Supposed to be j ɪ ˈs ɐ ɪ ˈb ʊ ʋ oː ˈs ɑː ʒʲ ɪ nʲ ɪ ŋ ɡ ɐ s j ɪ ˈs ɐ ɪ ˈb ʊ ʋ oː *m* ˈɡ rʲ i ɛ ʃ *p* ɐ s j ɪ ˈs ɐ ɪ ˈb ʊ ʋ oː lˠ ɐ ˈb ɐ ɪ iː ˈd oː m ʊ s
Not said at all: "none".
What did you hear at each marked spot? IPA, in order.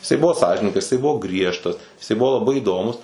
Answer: none, t

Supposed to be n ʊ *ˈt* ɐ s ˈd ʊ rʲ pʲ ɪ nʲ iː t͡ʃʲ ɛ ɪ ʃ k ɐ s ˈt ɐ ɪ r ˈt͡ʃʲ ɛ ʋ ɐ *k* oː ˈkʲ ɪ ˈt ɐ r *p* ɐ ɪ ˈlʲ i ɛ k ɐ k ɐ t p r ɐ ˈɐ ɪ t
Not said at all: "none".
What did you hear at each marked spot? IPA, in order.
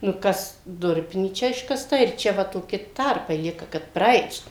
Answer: k, t, p

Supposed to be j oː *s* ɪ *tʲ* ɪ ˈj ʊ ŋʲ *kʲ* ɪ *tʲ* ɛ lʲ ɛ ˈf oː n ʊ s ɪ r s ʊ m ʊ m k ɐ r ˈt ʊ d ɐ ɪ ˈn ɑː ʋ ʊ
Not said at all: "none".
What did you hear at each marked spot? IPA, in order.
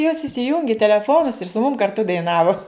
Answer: s, sʲ, ɡʲ, tʲ

